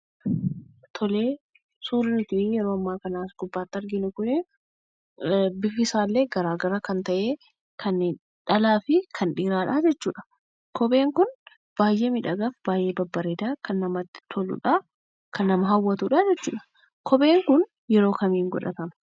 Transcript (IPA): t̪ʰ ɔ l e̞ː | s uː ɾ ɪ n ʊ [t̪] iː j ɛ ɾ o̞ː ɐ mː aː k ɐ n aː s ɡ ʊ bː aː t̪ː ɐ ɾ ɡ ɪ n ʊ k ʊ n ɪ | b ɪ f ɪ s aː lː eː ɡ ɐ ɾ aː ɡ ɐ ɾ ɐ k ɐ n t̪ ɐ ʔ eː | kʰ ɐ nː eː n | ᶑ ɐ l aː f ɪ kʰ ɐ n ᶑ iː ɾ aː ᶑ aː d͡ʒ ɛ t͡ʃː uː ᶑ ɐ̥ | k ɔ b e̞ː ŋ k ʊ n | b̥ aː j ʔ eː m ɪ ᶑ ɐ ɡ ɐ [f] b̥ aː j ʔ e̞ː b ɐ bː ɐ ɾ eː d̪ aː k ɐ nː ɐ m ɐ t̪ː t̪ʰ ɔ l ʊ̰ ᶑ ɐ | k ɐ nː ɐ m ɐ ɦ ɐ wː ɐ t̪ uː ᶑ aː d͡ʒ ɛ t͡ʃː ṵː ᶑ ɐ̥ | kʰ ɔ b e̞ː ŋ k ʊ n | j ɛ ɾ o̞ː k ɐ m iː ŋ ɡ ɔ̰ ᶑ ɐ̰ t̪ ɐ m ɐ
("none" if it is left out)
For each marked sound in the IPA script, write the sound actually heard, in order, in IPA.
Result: t̪, f

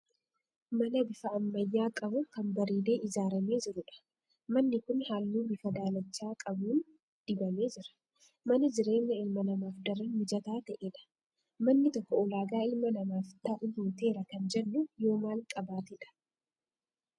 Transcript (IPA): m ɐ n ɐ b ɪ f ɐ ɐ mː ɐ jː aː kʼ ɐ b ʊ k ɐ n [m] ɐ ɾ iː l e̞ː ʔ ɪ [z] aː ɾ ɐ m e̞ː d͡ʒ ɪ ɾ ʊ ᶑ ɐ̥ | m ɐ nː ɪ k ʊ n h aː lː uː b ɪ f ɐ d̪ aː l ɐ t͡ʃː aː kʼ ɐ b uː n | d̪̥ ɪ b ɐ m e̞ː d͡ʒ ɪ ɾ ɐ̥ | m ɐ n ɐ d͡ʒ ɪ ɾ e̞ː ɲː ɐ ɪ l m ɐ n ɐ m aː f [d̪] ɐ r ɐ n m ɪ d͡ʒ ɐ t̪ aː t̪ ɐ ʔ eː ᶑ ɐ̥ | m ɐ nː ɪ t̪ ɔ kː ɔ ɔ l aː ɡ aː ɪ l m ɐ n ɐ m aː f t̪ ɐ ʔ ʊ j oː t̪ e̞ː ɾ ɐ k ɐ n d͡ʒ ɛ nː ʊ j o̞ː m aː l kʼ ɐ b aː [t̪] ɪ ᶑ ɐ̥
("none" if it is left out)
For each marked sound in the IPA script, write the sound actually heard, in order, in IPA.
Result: b, z, d̪, t̪

